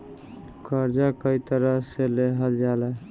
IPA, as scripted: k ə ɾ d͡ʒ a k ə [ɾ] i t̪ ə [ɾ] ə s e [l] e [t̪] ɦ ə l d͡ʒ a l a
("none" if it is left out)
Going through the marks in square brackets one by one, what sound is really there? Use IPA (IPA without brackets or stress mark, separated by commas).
none, ɾ, l, none